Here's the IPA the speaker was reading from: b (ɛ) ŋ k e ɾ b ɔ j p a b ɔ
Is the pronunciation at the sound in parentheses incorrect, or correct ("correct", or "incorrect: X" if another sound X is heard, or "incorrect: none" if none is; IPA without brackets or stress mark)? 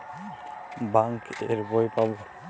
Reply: incorrect: a